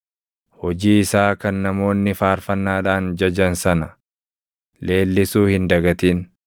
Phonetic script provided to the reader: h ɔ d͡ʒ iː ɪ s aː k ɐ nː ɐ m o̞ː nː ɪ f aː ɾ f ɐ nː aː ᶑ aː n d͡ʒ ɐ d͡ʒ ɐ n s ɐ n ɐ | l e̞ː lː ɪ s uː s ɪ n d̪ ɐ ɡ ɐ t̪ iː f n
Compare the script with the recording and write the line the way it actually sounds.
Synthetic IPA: h ɔ d͡ʒ iː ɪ s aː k ɐ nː ɐ m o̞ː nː ɪ f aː ɾ f ɐ nː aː ᶑ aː n d͡ʒ ɐ d͡ʒ ɐ n s ɐ n ɐ | l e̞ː lː ɪ s uː h ɪ n d̪ ɐ ɡ ɐ t̪ iː n